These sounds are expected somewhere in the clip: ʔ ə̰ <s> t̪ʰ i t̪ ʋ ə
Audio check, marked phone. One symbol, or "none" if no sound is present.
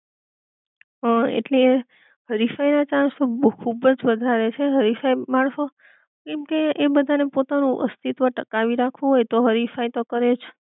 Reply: s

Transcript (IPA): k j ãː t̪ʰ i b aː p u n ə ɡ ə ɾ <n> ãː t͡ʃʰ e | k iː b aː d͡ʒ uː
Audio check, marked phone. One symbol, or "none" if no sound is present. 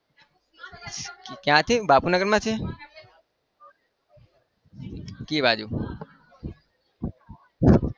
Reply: m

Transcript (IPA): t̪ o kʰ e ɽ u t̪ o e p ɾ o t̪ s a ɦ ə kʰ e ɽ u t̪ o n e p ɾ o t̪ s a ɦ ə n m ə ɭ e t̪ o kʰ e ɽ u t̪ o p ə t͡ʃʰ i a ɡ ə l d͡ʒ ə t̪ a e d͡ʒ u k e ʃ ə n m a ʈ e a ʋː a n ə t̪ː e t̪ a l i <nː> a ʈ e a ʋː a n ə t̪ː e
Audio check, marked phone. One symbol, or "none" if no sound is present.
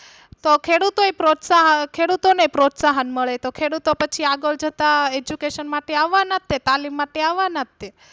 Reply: mː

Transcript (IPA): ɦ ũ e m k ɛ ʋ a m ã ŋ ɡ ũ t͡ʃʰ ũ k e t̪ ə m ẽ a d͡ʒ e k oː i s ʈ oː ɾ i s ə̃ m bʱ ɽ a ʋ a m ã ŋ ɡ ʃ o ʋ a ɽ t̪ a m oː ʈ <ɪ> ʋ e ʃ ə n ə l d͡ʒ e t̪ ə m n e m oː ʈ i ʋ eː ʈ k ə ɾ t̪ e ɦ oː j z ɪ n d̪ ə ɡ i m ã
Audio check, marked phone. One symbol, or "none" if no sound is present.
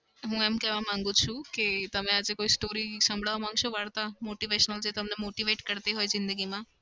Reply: i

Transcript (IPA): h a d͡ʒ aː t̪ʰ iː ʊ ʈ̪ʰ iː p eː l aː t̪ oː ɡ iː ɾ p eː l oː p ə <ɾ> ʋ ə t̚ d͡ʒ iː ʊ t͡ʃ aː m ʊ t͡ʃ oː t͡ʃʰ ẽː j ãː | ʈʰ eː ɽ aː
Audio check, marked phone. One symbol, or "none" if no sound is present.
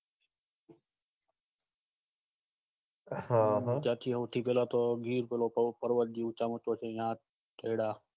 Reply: ɾ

